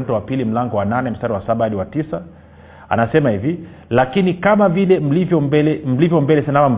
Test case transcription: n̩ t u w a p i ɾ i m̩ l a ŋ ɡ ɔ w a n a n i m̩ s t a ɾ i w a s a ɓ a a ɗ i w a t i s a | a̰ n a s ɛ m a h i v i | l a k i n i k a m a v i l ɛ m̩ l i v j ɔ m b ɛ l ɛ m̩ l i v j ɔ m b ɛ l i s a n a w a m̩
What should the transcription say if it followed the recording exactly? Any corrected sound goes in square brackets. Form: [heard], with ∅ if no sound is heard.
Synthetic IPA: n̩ t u w a p i [l] i m̩ l a ŋ ɡ ɔ w a n a n [ɛ] m̩ s t a ɾ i w a s a ɓ a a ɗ i w a t i s a | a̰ n a s ɛ m a h i v i | l a k i n i k a m a v i l ɛ m̩ l i v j ɔ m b ɛ l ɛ m̩ l i v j ɔ m b ɛ l [ɛ] s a n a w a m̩